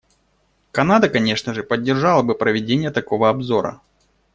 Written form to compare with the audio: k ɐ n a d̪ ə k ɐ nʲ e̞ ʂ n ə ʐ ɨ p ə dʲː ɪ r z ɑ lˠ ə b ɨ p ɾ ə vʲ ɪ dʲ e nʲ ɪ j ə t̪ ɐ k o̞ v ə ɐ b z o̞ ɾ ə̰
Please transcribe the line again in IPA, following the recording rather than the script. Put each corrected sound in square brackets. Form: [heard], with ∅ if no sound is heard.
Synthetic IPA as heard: k ɐ n a d̪ ə k ɐ nʲ e̞ ʂ n ə ʐ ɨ p ə dʲː ɪ r [ʐ] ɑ lˠ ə b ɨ p ɾ ə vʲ ɪ dʲ e nʲ ɪ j ə t̪ ɐ k o̞ v ə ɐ b z o̞ ɾ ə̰